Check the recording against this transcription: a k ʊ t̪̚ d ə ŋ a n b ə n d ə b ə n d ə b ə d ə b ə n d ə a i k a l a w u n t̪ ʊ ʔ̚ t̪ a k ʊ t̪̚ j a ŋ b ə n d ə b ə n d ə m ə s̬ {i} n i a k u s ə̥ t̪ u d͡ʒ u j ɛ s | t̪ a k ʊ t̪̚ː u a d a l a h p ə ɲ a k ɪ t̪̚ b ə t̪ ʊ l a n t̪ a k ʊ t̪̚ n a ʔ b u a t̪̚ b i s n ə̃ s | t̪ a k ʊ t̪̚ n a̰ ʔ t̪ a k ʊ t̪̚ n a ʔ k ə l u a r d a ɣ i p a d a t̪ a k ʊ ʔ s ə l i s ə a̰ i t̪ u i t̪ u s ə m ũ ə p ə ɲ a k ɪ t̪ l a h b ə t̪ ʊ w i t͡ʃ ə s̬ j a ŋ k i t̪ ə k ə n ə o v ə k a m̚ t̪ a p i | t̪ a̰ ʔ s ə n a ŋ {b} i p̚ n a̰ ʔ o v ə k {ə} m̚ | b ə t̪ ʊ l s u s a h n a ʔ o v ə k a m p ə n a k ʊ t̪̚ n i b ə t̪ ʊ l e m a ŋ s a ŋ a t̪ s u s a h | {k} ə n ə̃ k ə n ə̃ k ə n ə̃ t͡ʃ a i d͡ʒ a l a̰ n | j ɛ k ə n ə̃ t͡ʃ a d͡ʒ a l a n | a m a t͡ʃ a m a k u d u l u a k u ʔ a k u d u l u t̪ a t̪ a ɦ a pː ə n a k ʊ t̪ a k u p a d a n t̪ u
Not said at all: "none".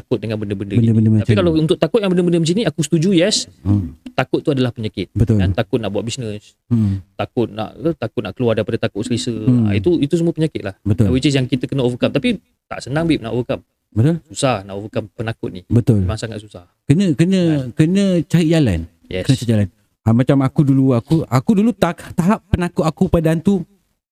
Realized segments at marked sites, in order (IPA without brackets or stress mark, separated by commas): i, b, a, k